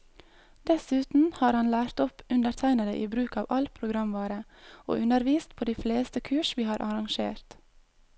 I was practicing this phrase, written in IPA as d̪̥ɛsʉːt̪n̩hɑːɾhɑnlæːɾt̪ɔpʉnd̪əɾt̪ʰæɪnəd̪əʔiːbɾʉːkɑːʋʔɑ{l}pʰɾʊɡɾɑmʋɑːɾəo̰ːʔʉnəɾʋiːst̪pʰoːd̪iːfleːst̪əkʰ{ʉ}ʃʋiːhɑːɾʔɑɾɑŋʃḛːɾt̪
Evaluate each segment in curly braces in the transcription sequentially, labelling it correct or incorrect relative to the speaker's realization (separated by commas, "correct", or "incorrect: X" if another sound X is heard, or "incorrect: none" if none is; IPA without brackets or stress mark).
correct, incorrect: ʉː